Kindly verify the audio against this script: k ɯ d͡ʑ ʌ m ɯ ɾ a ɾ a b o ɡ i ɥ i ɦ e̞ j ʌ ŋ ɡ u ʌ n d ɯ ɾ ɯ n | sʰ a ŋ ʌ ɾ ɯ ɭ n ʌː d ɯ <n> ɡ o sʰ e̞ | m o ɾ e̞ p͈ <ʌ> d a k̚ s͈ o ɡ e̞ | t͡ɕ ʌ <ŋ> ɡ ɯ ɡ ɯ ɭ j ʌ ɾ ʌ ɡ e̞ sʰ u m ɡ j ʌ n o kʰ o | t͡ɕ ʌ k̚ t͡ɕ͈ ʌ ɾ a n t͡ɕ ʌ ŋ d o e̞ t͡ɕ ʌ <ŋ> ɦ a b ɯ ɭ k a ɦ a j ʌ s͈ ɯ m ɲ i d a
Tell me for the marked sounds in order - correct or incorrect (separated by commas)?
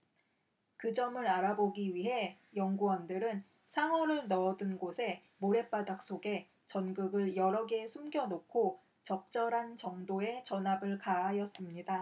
correct, incorrect, incorrect, incorrect